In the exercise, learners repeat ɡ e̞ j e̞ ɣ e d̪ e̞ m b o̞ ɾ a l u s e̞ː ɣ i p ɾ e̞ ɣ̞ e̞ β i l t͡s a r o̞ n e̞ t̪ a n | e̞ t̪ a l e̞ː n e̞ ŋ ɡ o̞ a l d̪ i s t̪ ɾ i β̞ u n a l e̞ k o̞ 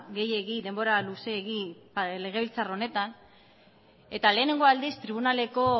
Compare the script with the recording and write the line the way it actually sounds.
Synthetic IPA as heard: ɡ e̞ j e̞ ɣ i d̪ e̞ m b o̞ ɾ a l u s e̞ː ɣ i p l e̞ ɣ̞ e̞ β i l t͡s a r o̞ n e̞ t̪ a n | e̞ t̪ a l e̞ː n e̞ ŋ ɡ o̞ a l d̪ i s t̪ ɾ i β̞ u n a l e̞ k o̞